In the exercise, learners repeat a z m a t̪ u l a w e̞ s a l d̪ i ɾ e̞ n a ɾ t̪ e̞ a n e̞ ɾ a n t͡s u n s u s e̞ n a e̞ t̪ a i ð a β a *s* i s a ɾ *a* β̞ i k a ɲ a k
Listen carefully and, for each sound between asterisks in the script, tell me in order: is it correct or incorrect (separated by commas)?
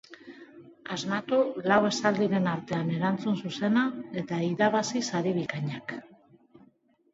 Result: correct, incorrect